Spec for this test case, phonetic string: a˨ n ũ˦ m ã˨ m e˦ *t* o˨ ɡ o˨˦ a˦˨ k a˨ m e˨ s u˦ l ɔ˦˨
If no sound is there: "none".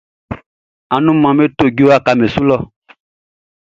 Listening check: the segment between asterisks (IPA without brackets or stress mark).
t